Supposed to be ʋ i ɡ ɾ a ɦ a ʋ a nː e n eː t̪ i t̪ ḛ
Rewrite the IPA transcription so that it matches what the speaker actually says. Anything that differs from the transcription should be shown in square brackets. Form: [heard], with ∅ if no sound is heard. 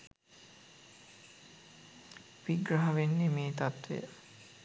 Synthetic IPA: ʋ i ɡ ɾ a ɦ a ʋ [e] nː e [m] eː t̪ [a] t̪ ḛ

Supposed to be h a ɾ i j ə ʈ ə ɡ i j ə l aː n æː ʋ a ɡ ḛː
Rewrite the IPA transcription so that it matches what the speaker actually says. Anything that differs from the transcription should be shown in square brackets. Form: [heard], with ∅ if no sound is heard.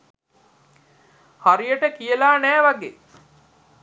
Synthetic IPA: h a ɾ i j ə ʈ ə [k] i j ə l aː n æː ʋ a ɡ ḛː

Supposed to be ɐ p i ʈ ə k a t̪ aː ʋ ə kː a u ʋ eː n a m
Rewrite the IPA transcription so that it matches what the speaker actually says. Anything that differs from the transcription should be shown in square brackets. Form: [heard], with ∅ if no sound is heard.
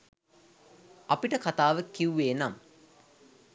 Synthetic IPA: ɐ p i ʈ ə k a t̪ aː ʋ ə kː [i] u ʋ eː n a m

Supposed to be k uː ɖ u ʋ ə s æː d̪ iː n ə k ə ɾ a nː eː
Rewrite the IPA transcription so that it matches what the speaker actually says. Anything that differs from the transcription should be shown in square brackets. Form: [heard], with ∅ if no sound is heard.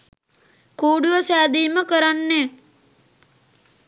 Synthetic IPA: k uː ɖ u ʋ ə s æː d̪ iː [m] ə k ə ɾ a nː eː

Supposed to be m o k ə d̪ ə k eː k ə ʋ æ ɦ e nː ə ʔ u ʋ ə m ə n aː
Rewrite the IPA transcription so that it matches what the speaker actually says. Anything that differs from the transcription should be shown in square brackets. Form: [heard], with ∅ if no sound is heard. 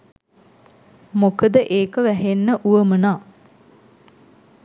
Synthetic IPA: m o k ə d̪ ə [ʔ] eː k ə ʋ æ ɦ e nː ə ʔ u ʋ ə m ə n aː

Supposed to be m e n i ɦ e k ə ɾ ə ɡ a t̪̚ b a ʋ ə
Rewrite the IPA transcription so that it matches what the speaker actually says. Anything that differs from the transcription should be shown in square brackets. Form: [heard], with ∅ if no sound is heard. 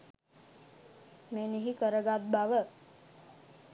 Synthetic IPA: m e n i ɦ [i] k ə ɾ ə ɡ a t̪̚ b a ʋ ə

